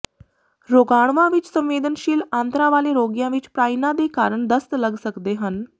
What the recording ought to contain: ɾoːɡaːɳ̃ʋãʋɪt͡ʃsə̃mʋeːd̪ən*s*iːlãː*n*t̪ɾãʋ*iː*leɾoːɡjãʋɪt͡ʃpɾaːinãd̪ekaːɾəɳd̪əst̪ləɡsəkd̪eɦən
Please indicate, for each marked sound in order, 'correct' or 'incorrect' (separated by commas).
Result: incorrect, correct, incorrect